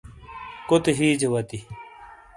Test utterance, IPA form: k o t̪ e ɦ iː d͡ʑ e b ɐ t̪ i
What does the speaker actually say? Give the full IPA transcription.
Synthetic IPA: k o t̪ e ɦ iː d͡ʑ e w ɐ t̪ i